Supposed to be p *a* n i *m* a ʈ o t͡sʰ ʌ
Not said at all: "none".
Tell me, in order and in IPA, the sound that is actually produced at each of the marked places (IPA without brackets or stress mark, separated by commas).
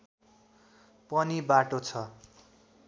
ʌ, b